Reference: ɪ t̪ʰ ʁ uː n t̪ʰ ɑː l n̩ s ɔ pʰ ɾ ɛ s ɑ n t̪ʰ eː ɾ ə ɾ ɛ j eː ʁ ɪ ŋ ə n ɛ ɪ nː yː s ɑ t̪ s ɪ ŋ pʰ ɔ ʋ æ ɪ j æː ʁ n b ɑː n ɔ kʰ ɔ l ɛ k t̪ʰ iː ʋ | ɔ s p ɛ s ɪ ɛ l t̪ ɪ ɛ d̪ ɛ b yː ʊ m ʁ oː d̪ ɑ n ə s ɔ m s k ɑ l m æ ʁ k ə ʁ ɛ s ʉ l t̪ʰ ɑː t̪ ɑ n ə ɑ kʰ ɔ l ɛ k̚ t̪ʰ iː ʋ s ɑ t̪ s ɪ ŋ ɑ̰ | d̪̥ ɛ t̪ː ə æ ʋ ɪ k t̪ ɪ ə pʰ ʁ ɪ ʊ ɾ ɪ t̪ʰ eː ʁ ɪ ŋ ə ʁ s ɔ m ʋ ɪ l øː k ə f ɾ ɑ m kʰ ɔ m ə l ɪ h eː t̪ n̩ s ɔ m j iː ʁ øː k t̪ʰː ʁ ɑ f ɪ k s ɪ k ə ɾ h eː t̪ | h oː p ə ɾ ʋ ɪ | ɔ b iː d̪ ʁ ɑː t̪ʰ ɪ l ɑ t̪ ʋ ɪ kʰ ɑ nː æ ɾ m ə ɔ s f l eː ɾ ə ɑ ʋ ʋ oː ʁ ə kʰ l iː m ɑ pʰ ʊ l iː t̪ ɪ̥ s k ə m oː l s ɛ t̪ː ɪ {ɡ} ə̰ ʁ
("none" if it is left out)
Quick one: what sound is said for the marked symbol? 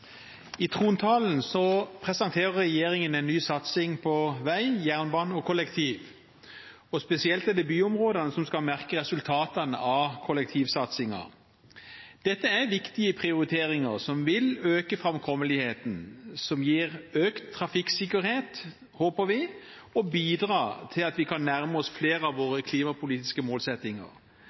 ŋ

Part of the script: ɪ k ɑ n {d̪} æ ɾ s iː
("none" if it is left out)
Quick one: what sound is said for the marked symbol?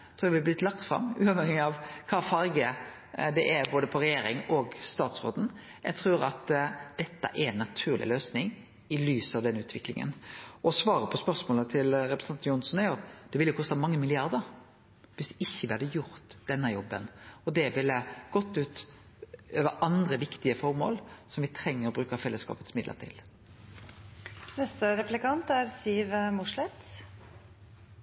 t̪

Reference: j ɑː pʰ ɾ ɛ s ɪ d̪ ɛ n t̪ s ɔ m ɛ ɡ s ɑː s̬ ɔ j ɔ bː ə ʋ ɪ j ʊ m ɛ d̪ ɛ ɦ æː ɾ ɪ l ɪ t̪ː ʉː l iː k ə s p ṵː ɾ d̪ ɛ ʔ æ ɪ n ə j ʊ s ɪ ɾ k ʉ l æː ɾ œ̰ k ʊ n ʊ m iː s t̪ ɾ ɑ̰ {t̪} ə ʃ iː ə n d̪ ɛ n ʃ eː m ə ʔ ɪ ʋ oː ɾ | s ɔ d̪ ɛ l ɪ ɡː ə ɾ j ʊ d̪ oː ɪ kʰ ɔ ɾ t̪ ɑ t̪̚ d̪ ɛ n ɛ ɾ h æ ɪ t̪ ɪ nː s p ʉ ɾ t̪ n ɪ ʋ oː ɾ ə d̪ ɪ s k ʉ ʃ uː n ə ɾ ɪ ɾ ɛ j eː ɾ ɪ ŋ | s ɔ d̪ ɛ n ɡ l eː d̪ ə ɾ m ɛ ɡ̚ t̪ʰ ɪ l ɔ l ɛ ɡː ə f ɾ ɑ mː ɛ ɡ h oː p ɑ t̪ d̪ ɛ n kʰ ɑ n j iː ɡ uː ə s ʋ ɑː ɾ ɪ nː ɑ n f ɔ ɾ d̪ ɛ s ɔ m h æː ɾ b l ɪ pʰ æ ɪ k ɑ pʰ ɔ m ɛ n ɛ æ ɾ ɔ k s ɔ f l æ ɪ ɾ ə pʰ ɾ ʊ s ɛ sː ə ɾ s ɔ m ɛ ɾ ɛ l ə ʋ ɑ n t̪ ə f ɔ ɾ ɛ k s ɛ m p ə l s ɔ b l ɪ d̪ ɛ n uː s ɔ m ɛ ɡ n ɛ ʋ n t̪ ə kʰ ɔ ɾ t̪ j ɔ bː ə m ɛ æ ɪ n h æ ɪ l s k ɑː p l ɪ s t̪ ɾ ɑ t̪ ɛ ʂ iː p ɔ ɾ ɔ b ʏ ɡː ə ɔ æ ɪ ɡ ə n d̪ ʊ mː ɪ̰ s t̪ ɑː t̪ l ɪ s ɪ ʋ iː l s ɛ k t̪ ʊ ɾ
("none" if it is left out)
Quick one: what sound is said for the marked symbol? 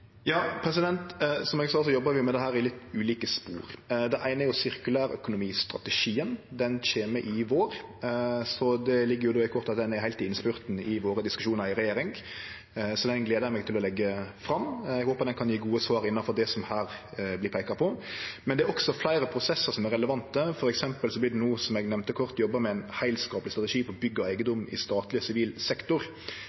t̪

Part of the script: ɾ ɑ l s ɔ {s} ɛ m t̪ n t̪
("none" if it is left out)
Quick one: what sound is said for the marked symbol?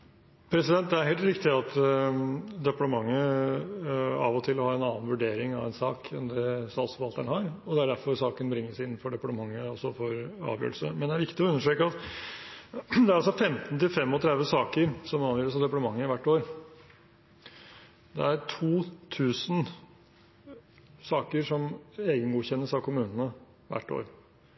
f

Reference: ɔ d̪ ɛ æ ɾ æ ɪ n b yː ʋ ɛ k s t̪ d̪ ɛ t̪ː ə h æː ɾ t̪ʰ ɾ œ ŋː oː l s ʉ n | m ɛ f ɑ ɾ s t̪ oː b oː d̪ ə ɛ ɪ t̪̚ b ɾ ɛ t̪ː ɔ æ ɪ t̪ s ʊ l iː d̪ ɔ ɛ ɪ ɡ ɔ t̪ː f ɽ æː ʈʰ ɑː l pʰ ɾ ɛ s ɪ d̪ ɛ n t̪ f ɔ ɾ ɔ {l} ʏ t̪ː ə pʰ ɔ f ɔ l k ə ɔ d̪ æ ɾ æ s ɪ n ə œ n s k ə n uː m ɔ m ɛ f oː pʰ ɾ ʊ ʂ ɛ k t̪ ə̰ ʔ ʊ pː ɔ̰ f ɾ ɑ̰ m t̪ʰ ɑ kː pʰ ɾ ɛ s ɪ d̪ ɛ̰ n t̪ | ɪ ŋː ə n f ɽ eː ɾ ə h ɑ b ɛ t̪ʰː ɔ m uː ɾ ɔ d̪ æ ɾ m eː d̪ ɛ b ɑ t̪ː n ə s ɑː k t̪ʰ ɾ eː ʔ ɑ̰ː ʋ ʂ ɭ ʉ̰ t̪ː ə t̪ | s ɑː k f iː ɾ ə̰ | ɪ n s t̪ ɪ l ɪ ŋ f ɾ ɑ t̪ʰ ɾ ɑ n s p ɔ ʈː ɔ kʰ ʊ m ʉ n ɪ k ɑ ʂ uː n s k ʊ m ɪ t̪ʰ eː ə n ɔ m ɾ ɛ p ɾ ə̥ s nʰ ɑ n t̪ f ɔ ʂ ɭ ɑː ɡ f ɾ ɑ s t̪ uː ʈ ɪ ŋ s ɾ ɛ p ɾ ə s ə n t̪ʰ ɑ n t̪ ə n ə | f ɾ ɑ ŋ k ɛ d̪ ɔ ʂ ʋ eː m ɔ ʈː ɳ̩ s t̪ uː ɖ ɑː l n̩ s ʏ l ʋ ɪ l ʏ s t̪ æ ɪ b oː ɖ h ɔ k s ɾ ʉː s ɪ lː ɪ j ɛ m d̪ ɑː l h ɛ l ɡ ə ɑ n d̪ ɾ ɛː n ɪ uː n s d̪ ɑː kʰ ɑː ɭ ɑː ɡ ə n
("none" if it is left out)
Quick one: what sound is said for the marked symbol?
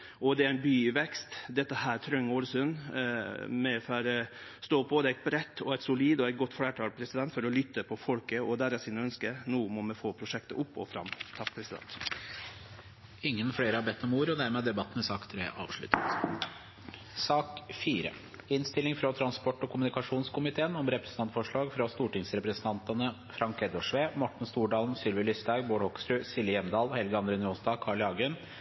l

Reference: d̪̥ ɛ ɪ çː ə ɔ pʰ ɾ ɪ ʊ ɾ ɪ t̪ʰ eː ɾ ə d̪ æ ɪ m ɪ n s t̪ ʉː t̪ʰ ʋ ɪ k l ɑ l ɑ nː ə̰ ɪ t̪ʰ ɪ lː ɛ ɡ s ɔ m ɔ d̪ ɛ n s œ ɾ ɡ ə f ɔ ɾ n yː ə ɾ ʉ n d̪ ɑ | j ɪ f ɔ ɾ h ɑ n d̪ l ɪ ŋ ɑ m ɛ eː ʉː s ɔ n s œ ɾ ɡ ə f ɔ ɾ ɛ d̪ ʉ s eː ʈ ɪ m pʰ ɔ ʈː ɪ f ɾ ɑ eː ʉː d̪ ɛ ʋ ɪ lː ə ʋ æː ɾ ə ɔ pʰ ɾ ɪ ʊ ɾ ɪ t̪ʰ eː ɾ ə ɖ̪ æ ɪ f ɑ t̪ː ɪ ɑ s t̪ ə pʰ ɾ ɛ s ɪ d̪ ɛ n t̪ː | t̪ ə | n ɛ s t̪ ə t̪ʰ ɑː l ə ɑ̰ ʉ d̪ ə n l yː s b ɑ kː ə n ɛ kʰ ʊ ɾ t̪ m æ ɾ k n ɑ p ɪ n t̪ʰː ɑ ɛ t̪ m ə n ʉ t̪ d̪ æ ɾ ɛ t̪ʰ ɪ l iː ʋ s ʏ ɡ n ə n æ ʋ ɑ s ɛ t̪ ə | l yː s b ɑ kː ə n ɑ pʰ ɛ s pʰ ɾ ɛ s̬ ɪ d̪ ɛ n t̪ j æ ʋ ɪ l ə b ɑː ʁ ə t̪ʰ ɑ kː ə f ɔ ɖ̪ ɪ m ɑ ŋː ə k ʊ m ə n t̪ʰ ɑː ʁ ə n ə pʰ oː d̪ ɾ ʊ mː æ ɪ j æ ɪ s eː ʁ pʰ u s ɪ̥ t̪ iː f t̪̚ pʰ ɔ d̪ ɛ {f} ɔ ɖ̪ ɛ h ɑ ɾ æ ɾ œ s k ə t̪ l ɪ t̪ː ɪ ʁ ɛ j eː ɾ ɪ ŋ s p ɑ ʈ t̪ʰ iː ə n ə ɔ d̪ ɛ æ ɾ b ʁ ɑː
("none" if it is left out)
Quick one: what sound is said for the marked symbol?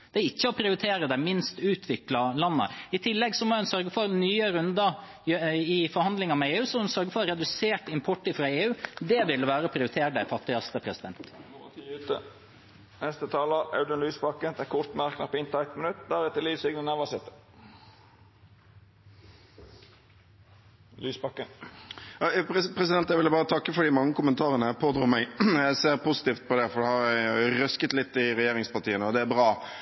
f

